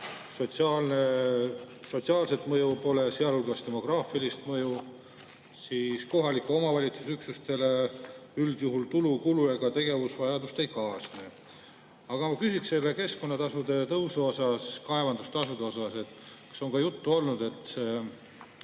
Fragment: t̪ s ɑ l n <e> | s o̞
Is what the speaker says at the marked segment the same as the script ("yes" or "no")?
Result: yes